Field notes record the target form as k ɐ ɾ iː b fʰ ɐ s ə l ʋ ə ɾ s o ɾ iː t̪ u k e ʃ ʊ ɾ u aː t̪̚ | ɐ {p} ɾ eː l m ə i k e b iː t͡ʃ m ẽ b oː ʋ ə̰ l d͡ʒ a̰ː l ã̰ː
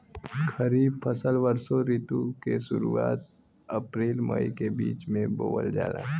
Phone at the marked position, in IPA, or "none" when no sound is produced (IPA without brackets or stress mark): p